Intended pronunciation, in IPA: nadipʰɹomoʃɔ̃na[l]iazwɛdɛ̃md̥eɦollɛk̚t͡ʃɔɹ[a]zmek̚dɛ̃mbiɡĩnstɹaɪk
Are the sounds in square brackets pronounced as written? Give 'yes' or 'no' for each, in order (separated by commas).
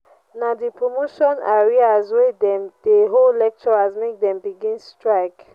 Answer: no, yes